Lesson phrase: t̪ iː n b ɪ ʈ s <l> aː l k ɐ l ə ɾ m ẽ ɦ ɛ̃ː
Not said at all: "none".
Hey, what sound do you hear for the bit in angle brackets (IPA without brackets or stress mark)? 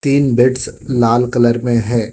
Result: l